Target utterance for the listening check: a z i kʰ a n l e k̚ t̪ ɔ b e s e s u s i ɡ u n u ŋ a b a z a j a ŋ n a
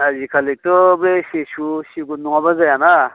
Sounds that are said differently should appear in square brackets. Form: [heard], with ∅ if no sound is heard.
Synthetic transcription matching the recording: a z i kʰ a [∅] l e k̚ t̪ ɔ b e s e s u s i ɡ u n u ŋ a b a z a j a [∅] n a